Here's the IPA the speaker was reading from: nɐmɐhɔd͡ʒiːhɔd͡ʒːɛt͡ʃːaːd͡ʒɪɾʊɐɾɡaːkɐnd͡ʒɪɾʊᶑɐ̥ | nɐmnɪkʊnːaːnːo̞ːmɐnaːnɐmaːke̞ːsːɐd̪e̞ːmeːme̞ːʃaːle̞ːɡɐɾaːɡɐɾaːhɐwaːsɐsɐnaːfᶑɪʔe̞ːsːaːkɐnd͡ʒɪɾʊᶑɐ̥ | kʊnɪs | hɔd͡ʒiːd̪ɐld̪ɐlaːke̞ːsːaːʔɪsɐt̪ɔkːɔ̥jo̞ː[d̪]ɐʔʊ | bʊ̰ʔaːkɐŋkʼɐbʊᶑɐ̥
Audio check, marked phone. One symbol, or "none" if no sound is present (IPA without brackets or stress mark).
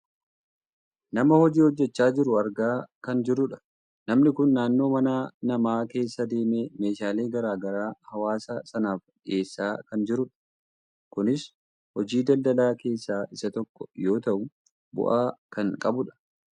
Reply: t̪